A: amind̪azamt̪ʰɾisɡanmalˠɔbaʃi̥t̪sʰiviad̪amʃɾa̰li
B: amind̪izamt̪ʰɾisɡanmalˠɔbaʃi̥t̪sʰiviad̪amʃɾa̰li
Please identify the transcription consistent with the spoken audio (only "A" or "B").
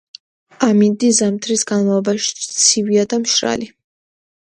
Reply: B